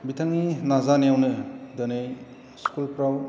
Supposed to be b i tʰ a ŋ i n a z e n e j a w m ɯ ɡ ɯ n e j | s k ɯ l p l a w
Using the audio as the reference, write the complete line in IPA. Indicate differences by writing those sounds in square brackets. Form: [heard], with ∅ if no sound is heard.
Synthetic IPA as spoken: b i tʰ a ŋ i n a z [a] n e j a w [n] ɯ [d] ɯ n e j | s k [u] l p [ɾ] a w